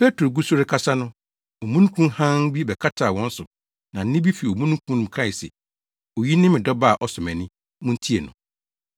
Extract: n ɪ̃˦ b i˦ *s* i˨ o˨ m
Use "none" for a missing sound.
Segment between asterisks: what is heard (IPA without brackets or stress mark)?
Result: f